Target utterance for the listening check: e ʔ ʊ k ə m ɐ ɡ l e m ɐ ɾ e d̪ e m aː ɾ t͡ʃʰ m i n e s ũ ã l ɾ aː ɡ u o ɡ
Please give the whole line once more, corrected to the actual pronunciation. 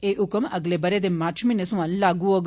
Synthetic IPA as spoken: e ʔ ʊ k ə m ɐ ɡ l e b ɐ ɾ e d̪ e m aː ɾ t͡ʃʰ m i n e s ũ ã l l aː ɡ u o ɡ